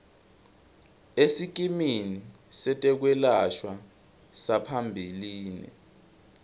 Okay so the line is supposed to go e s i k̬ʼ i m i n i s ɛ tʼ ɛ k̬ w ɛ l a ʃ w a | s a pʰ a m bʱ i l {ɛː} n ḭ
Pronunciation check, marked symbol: incorrect: iː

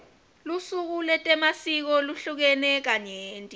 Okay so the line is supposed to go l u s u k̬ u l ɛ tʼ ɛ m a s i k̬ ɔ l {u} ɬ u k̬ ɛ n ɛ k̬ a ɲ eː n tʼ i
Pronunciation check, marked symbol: correct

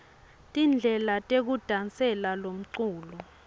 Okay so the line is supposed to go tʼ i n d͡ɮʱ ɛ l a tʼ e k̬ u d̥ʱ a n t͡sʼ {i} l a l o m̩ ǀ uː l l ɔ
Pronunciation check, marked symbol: incorrect: ɛ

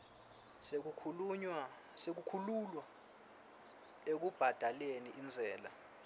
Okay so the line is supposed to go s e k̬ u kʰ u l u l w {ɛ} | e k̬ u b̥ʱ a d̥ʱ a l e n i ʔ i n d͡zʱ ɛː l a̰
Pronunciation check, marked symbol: incorrect: a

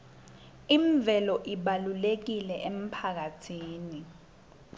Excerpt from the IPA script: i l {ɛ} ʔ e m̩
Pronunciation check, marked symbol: correct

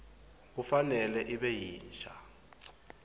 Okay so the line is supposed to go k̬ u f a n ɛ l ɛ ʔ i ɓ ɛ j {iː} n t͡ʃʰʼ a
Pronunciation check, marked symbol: correct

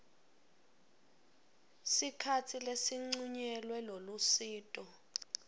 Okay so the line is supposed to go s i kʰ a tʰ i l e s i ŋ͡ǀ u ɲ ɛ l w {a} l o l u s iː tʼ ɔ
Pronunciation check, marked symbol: incorrect: ɛ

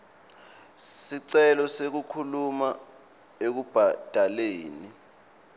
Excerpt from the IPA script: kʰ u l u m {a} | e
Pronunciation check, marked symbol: correct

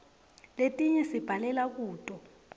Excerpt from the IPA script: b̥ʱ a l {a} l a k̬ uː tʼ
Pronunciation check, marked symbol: incorrect: ɛ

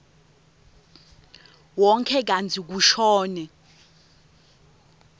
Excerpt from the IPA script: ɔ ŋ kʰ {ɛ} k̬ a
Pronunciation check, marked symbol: correct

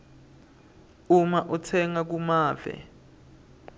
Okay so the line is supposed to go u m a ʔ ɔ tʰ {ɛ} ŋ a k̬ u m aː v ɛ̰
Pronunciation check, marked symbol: correct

